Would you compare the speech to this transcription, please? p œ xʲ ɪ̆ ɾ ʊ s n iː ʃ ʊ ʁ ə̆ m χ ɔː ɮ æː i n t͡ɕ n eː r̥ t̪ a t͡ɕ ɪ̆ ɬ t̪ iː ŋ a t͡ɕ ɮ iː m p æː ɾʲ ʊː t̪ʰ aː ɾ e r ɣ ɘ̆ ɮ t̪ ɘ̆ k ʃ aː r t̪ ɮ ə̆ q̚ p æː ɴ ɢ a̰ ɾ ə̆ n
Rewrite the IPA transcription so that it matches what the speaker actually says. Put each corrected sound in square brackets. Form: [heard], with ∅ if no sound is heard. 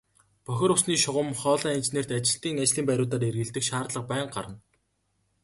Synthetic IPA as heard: p œ xʲ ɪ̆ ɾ ʊ s n iː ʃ ʊ ʁ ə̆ m χ ɔː ɮ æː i n t͡ɕ n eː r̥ t̪ a t͡ɕ ɪ̆ ɬ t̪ iː ŋ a t͡ɕ ɮ iː m p [æ] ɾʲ ʊː [t̪] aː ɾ e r ɣ ɘ̆ ɮ t̪ ɘ̆ k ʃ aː r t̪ ɮ ə̆ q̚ p æː ɴ ɢ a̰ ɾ ə̆ n